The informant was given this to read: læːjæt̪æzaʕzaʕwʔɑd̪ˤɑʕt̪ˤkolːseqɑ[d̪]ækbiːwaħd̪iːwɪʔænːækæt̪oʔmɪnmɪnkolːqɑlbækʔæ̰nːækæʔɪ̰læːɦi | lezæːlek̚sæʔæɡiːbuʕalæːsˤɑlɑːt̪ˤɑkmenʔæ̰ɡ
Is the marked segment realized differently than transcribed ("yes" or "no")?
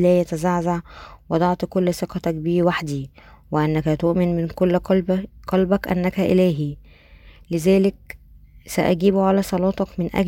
yes